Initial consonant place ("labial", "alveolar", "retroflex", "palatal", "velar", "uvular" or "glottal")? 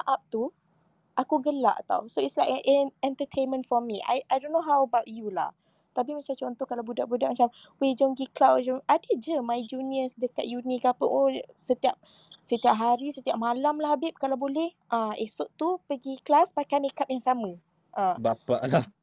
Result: glottal